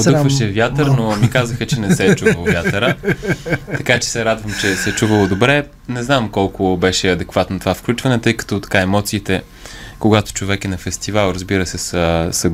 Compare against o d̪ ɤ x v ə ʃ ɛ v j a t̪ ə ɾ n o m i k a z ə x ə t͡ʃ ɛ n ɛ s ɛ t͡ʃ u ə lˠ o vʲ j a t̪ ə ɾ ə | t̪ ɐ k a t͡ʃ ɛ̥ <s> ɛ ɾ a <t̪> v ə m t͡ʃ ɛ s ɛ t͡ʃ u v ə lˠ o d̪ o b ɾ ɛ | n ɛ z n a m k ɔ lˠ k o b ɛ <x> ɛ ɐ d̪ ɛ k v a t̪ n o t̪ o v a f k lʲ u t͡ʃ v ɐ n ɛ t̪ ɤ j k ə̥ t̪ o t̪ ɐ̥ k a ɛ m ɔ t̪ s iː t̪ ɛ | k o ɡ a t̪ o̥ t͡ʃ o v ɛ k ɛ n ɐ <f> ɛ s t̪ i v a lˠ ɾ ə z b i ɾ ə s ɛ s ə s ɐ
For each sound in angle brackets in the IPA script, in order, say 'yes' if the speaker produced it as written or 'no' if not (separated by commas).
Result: yes, no, no, yes